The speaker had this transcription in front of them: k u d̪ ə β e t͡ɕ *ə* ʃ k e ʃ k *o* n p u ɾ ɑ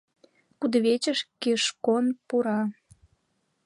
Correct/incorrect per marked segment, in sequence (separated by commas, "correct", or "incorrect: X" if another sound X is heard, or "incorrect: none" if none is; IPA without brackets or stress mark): correct, correct